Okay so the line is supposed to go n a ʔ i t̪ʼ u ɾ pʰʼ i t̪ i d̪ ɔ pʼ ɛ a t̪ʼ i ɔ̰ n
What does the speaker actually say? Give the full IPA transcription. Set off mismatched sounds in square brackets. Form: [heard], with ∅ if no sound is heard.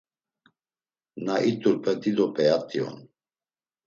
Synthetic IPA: n a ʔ i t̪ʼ u ɾ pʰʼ [ɛ] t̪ i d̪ ɔ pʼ ɛ a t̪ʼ i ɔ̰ n

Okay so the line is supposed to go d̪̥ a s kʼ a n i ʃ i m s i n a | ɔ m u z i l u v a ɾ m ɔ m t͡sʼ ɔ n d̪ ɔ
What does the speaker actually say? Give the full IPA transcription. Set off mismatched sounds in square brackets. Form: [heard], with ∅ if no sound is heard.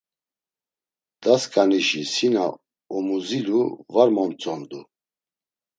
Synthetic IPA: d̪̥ a s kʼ a n i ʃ i [∅] s i n a | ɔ m u z i l u v a ɾ m ɔ m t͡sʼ ɔ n d̪ [u]

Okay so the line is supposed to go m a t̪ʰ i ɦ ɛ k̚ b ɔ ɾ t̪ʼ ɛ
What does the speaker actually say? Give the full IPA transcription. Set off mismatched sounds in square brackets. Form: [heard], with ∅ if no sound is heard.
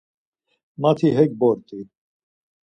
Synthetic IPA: m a t̪ʰ i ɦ ɛ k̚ b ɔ ɾ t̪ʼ [i]

